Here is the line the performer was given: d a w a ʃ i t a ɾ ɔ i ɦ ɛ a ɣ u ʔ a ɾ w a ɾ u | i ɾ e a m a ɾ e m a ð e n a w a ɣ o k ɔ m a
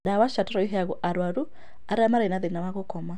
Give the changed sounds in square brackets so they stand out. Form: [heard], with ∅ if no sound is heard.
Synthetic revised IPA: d a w a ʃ [a] t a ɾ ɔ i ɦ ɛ a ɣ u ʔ a ɾ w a ɾ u | [a] ɾ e a m a ɾ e [n] a ð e n a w a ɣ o k ɔ m a